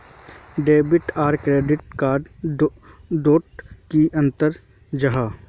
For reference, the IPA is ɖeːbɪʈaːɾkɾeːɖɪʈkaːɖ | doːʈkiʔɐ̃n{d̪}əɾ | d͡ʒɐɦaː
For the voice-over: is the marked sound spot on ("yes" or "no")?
no